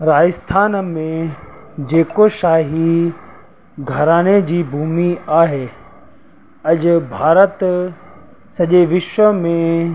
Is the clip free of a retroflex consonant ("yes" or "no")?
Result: yes